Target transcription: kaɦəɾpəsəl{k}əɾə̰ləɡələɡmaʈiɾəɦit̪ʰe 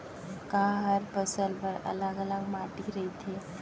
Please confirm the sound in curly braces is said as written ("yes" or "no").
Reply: no